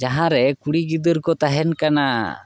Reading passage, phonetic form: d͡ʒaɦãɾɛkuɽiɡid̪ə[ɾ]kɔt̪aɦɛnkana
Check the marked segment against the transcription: correct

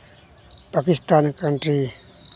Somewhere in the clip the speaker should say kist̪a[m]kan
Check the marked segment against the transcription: incorrect: n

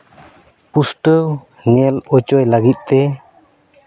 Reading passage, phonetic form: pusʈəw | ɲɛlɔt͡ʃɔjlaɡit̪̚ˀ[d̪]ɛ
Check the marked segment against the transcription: incorrect: t̪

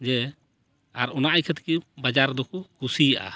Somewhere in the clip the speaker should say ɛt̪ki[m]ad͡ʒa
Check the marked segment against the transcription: incorrect: b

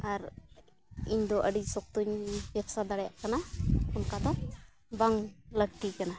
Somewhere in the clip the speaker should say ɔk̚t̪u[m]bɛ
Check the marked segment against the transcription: incorrect: ɲ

